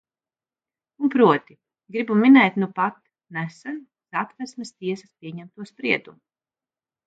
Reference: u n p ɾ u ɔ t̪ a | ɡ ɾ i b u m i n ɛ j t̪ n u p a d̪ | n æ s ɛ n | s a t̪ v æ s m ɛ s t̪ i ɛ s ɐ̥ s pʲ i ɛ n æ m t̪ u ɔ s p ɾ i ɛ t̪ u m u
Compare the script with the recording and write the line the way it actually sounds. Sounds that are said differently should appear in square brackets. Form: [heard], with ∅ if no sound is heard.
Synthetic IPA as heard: u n p ɾ u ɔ t̪ [i] | ɡ ɾ i b u m i n ɛ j t̪ n u p a [t̪] | n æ s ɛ n | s a t̪ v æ s m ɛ s t̪ i ɛ s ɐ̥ s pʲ i ɛ [ɲ] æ m t̪ u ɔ s p ɾ i ɛ [d̪] u m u